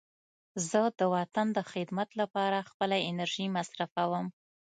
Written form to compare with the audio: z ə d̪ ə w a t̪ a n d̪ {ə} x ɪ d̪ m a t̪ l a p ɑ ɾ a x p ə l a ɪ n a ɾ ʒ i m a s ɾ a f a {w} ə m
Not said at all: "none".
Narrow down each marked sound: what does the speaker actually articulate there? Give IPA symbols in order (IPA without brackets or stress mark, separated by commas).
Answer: ə, w